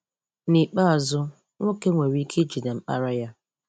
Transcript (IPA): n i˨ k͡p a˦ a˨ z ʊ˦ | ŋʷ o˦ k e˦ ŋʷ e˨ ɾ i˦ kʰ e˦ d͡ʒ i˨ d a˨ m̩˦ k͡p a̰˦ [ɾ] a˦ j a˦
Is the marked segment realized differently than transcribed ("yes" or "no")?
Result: no